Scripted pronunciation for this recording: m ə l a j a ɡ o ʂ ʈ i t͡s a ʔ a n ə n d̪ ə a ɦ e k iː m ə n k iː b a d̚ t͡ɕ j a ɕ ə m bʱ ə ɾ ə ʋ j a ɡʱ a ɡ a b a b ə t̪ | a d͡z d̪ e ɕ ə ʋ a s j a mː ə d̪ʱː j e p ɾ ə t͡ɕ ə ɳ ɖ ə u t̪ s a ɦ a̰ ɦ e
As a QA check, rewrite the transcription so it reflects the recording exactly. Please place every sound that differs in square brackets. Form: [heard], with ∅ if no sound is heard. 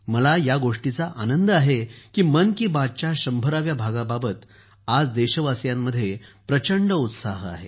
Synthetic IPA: m ə l a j a ɡ o ʂ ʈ i t͡s a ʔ a n ə n d̪ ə a ɦ e k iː m ə n k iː b a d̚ t͡ɕ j a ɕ ə m bʱ ə ɾ [a] ʋ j a [bʱ] a ɡ a b a b ə t̪ | a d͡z d̪ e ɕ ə ʋ a s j a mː ə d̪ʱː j e p ɾ ə t͡ɕ ə ɳ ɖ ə u t̪ s a ɦ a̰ ɦ e